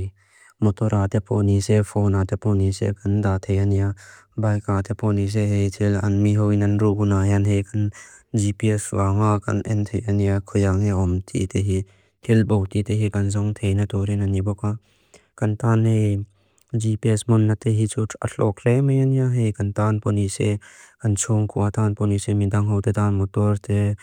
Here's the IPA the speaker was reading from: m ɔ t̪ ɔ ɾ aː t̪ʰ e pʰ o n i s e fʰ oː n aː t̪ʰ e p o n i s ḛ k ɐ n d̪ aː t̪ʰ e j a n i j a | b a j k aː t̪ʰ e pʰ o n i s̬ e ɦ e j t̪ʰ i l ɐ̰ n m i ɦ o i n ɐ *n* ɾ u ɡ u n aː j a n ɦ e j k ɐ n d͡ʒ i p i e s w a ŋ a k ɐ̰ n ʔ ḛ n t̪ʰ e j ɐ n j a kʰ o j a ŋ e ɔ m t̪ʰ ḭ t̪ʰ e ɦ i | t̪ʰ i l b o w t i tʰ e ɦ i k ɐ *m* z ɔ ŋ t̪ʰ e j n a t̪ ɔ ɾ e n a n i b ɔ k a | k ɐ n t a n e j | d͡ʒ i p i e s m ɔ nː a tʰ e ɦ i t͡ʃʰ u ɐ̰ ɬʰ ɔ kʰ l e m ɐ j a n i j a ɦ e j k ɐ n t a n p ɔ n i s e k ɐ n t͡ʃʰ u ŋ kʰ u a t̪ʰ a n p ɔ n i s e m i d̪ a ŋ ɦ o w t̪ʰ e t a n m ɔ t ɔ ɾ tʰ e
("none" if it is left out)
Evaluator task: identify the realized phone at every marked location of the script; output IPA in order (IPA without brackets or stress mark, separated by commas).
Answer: n, n